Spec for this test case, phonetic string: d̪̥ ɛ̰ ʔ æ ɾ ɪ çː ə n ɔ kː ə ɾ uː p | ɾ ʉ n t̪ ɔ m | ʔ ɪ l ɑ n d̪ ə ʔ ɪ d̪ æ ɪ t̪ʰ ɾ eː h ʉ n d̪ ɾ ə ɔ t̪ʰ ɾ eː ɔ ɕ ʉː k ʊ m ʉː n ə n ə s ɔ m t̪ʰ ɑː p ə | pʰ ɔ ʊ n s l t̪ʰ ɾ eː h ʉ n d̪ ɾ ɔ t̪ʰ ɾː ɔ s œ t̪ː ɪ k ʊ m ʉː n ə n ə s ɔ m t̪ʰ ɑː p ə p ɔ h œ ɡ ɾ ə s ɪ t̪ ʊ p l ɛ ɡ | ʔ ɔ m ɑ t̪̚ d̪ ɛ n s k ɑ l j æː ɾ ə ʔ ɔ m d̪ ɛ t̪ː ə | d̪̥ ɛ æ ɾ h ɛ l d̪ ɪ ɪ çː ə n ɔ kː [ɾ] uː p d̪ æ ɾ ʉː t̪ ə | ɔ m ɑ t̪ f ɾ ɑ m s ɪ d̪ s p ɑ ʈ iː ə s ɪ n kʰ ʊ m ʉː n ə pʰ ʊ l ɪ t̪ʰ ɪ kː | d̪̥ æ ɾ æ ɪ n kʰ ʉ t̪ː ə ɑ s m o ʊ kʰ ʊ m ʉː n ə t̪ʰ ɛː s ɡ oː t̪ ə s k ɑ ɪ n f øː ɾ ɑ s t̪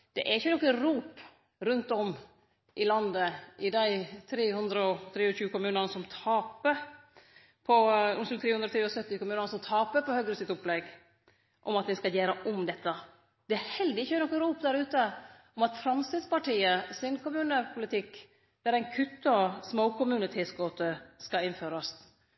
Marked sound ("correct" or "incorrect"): correct